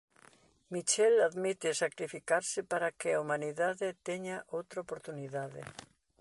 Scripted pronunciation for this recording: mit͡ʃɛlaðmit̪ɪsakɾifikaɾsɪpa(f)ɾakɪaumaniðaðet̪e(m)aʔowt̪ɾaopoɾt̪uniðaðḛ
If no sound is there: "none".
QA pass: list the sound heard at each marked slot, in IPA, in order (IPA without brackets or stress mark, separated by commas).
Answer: none, ɲ